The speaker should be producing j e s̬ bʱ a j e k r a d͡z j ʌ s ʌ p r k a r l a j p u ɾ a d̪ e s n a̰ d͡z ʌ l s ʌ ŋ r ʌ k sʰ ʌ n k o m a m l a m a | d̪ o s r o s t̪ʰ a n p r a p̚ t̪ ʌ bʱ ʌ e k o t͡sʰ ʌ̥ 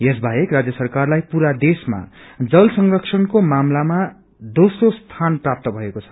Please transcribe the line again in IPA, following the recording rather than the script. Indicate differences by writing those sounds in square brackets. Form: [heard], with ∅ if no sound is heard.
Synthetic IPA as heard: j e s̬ bʱ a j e k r a d͡z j ʌ s ʌ [∅] r k a r l a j p u ɾ a d̪ e s [m] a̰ d͡z ʌ l s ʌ ŋ r ʌ k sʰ ʌ n k o m a m l a m a | d̪ o s r o s t̪ʰ a n p r a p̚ t̪ ʌ bʱ ʌ e k o t͡sʰ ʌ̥